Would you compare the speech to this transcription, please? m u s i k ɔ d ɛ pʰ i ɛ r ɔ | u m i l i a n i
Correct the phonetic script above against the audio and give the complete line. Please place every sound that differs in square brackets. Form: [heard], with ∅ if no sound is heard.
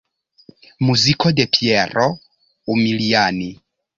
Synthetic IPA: m u [z] i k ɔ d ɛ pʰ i ɛ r ɔ | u m i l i a n i

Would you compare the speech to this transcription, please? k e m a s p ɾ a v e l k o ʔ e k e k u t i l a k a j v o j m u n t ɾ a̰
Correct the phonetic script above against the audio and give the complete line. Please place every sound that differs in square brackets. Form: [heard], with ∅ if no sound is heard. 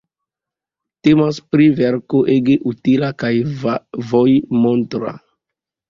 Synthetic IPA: [t] e m a s p ɾ [i] v e [ɾ] k o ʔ e [ɡ] e [ʔ] u t i l a k a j v o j m [o] n t ɾ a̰

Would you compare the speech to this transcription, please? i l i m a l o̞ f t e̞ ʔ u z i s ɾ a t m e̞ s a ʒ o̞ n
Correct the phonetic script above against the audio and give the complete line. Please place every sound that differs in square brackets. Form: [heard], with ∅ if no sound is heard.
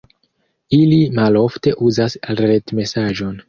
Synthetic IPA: i l i m a l o̞ f t e̞ ʔ u z [a] s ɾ [e] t m e̞ s a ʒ o̞ n

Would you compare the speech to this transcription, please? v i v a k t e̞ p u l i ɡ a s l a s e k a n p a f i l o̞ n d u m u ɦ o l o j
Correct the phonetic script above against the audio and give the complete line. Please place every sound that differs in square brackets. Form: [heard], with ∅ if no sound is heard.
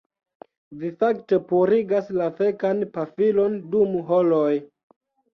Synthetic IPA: v i [f] a k t e̞ p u [ɾ] i ɡ a s l a [f] e k a n p a f i l o̞ n d u m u ɦ o l o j

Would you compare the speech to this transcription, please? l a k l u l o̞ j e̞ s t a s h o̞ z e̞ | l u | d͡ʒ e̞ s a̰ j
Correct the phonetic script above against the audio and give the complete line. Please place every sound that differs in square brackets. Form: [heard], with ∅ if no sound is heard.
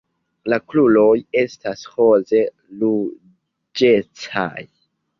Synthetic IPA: l a k l u l o̞ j e̞ s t a s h o̞ z e̞ | l u | d͡ʒ e̞ [t͡s] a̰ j

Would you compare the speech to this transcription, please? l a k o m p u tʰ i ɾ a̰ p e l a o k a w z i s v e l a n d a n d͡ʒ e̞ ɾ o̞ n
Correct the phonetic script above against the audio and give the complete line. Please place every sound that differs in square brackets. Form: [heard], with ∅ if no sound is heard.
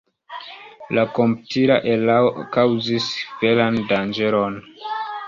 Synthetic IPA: l a k o m p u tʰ i ɾ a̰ [ʔ] e l a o k a w z i s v e l a n d a n d͡ʒ e̞ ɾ o̞ n

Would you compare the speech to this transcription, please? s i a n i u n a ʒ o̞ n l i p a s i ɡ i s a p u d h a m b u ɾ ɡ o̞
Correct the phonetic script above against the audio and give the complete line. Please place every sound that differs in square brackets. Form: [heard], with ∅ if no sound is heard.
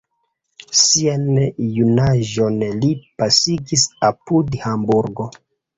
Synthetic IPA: s i a n [j] u n a ʒ o̞ n l i p a s i ɡ i s a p u d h a m b u ɾ ɡ o̞

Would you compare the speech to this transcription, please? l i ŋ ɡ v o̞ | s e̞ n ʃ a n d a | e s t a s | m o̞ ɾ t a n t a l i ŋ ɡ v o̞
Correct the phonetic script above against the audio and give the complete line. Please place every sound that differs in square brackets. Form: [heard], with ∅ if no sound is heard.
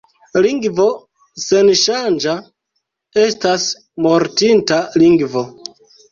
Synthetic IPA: l i ŋ ɡ v o̞ | s e̞ n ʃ a n [d͡ʒ] a | e s t a s | m o̞ ɾ t [i] n t a l i ŋ ɡ v o̞

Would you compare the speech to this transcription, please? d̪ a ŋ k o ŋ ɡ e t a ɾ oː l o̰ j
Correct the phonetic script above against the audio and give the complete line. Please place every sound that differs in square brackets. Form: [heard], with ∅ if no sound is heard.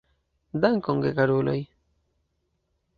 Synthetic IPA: d̪ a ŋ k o ŋ ɡ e [k] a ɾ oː l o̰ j

